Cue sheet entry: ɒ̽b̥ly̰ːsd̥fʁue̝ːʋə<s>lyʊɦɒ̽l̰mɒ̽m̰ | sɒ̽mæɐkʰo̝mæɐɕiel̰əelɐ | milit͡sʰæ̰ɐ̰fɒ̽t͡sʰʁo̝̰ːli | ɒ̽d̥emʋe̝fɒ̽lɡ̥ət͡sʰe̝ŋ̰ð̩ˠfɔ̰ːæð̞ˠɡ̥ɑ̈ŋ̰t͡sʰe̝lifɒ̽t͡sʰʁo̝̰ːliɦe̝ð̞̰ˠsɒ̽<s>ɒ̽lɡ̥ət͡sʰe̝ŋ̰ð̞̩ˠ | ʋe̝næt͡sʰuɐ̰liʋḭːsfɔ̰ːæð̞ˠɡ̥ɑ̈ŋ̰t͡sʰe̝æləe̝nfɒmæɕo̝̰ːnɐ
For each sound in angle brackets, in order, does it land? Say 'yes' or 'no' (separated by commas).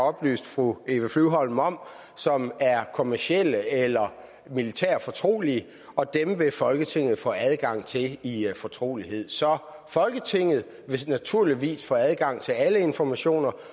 no, no